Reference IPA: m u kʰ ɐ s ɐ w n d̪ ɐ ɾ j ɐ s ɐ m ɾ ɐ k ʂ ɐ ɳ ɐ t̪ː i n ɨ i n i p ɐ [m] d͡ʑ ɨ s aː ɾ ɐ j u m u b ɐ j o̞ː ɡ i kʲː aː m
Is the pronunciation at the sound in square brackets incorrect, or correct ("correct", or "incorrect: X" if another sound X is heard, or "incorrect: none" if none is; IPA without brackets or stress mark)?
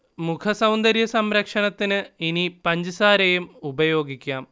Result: incorrect: ɲ